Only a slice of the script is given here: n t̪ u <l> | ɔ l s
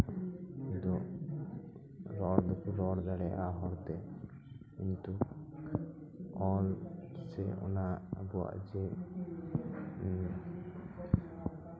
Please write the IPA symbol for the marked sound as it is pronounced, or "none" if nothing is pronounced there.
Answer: none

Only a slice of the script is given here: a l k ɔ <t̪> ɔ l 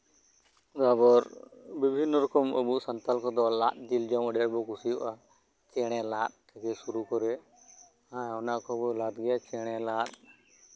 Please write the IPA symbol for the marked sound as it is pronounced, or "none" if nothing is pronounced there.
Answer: d̪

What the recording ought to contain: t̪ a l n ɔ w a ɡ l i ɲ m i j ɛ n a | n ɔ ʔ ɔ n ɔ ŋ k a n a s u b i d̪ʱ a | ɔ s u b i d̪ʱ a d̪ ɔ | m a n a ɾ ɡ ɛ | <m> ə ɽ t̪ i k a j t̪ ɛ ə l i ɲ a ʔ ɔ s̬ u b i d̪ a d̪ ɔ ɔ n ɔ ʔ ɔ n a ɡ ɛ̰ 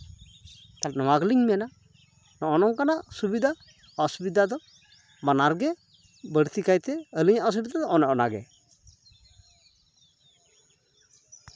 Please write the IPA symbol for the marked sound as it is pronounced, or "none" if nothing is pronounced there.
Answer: b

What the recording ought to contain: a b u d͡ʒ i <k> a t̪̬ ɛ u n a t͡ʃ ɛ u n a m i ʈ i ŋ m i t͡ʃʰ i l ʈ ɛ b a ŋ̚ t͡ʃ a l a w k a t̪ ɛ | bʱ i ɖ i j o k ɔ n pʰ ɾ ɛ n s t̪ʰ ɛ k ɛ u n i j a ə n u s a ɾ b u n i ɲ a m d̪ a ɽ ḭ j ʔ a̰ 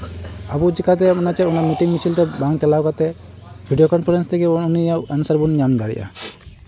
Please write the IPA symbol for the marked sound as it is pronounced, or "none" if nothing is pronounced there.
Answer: k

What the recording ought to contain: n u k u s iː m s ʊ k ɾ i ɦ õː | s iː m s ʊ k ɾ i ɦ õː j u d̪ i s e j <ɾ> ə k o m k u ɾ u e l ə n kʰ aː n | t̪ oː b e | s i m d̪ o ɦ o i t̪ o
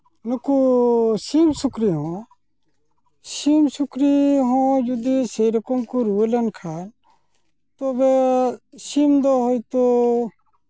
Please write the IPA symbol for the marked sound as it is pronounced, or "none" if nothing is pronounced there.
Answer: ɾ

